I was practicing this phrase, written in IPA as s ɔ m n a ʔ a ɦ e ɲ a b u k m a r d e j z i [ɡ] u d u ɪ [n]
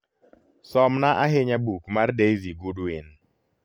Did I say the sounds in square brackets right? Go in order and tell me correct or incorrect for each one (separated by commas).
correct, correct